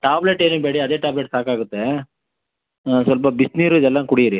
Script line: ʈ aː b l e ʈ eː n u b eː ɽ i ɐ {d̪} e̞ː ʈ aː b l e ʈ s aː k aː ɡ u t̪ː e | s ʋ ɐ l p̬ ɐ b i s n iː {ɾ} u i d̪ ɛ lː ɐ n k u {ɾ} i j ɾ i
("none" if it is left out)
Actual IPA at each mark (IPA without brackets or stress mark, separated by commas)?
d̪, ɾ, ɽ